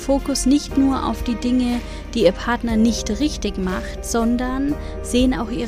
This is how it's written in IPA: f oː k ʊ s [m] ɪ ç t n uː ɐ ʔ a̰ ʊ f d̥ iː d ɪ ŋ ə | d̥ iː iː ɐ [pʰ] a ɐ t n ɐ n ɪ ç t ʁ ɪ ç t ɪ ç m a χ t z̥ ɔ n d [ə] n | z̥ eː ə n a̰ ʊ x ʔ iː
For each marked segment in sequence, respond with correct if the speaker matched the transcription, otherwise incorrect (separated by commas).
incorrect, correct, incorrect